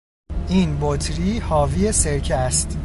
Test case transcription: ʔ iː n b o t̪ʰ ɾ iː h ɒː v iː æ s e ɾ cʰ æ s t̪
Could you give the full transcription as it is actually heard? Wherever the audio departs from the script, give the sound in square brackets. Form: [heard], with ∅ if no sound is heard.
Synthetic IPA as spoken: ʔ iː n b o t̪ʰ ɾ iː h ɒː v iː [e] s e ɾ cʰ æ s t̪